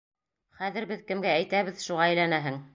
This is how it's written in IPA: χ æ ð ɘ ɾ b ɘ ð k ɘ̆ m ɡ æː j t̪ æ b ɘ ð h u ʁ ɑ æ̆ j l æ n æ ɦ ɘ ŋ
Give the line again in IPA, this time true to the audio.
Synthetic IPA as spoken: χ æ ð ɘ ɾ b ɘ ð k ɘ̆ m ɡ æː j t̪ æ β ɘ ð ʃ u ʁ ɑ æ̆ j l æ n æ ɦ ɘ ŋ